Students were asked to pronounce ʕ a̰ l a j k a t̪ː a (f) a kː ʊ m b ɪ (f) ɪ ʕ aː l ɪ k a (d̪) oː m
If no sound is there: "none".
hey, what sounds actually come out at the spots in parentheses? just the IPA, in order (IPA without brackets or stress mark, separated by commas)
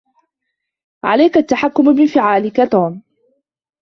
ħ, f, t̪